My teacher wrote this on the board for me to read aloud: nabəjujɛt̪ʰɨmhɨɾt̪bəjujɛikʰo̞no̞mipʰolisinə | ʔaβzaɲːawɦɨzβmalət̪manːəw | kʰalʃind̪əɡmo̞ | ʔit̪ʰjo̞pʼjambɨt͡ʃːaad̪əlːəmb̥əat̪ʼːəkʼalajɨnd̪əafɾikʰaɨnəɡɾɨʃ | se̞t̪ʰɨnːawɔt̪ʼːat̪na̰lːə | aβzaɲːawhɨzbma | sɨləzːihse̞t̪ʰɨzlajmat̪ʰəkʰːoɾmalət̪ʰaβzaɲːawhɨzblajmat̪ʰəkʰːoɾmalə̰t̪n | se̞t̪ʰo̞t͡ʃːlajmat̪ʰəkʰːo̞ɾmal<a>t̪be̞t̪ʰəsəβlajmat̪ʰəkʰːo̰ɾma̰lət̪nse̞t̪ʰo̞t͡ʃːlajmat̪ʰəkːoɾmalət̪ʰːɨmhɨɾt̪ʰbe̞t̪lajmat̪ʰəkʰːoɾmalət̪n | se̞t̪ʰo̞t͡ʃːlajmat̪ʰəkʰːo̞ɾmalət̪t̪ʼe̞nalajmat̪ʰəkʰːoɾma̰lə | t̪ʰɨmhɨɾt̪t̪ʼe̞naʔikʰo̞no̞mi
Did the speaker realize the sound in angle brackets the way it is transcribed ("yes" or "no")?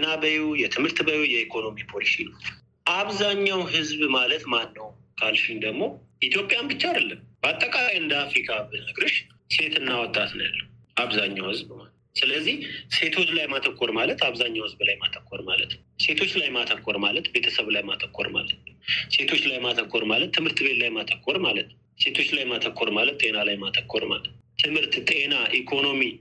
no